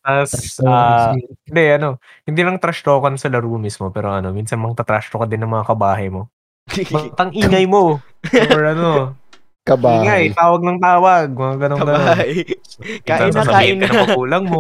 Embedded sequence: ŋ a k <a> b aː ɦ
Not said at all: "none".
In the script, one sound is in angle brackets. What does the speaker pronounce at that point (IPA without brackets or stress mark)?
ɐ